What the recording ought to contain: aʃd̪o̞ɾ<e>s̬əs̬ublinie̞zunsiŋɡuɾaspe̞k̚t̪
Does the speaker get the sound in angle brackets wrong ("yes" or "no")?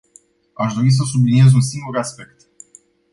yes